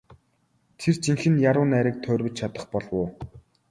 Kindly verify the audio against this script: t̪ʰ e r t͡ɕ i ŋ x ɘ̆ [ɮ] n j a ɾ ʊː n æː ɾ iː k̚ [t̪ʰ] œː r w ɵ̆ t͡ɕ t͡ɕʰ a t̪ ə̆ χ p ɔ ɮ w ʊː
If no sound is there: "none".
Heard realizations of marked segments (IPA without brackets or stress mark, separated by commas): none, t̪ʰ